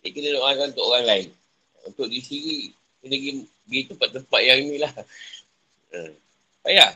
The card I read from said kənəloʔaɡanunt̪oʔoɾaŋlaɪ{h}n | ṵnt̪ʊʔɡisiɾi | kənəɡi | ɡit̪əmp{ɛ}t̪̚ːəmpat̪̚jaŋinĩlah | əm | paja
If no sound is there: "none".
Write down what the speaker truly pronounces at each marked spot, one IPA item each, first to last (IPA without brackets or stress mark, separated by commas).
none, a